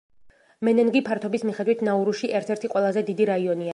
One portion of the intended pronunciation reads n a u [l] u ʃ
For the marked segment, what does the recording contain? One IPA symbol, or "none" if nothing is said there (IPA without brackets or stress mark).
ɾ